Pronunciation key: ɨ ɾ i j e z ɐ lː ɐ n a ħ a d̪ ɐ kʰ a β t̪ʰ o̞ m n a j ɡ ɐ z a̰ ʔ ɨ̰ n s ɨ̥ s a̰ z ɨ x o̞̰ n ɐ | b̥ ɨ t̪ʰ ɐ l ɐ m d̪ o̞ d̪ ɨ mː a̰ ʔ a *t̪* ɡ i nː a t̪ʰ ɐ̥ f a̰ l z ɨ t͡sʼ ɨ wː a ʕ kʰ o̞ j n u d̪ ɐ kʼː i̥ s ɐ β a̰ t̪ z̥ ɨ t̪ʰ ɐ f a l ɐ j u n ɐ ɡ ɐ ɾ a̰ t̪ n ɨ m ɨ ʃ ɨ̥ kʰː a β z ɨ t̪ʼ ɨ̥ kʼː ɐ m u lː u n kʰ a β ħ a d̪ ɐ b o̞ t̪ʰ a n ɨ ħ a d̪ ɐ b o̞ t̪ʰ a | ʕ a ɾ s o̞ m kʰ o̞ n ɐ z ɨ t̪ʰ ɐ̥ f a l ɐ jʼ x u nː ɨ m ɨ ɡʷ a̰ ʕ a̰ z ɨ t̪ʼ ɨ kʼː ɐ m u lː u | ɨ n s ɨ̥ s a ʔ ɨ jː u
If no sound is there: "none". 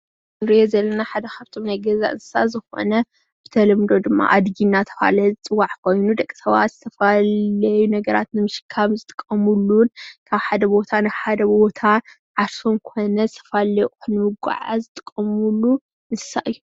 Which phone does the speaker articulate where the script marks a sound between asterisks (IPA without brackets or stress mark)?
d̪